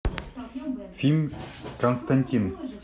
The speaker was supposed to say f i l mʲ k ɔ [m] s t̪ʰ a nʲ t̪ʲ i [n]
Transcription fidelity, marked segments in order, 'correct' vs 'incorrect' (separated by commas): incorrect, correct